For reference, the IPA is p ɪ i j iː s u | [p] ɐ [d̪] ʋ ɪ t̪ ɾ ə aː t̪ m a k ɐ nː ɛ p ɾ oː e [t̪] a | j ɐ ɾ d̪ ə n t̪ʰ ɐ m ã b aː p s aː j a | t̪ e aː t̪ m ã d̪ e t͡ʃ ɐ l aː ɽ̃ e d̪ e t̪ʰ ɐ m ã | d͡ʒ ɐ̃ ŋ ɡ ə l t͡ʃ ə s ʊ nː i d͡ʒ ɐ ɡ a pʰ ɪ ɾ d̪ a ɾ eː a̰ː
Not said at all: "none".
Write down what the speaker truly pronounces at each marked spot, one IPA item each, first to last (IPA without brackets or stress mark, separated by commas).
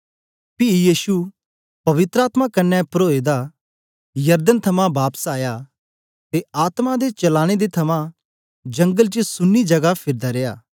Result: p, none, d̪